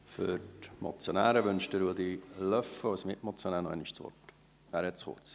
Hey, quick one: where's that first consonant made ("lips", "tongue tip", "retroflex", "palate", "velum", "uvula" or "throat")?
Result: lips